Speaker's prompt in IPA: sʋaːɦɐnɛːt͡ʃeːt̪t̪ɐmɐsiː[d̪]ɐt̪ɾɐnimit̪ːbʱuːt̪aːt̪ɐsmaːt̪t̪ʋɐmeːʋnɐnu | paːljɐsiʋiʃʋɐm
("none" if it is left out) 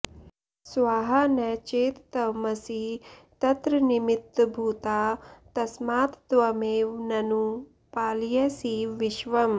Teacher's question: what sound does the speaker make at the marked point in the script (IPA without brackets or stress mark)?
t̪